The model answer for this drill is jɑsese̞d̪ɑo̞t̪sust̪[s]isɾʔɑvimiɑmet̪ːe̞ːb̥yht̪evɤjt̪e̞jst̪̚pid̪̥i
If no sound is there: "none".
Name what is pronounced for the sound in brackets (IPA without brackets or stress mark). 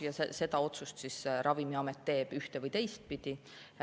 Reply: s